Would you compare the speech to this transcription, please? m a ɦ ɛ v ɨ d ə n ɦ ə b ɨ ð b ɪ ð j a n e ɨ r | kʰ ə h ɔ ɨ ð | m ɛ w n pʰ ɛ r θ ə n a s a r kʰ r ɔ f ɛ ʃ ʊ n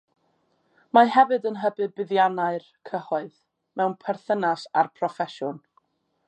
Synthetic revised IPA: m a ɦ ɛ v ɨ d ə n ɦ ə b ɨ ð b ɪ ð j a n a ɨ r | kʰ ə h ɔ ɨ ð | m ɛ w n pʰ ɛ r θ ə n a s a r pʰ r ɔ f ɛ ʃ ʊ n